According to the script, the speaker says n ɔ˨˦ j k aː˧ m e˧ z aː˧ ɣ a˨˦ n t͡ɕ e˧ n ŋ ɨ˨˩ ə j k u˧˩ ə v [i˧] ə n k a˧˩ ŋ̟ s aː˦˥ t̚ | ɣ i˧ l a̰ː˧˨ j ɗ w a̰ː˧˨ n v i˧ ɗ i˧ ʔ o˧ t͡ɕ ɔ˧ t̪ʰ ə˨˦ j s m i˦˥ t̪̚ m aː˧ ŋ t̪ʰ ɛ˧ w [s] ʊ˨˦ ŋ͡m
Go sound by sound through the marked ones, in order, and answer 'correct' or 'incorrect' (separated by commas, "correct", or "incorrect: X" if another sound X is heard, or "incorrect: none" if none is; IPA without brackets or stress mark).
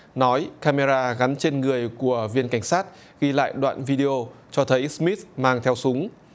correct, correct